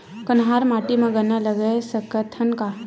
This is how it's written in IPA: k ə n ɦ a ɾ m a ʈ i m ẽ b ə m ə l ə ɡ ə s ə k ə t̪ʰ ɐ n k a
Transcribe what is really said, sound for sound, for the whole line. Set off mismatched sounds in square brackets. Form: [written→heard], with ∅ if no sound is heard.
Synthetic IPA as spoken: k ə n ɦ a ɾ m a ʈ i m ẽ [b→ɡ] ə [m→n] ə l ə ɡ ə s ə k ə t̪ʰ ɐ n k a